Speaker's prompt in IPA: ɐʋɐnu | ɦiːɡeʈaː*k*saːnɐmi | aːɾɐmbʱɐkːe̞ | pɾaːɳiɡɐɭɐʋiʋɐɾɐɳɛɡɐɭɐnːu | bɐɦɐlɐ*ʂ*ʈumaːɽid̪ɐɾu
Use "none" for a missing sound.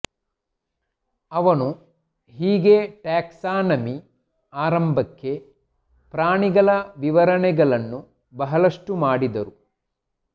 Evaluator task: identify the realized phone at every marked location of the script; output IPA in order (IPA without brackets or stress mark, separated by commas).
k, ʂ